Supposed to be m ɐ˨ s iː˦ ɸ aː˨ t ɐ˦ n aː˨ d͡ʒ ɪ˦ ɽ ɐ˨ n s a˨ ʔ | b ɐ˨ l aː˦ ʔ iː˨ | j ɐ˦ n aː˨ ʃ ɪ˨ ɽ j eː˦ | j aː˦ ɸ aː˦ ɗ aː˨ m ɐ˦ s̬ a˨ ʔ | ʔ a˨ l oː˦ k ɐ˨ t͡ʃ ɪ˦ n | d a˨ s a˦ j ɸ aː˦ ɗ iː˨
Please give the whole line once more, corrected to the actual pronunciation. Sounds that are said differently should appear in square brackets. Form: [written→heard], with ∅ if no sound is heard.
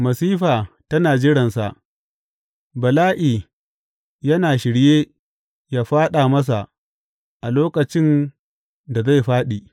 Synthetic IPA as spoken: m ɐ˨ s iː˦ ɸ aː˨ t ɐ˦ n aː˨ d͡ʒ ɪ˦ ɽ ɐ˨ n s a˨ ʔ | b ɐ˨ l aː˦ ʔ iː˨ | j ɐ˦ n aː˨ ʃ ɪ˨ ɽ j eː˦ | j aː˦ ɸ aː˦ ɗ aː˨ m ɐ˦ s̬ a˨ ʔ | ʔ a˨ l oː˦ k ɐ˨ t͡ʃ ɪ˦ n | d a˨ [s→z] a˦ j ɸ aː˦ ɗ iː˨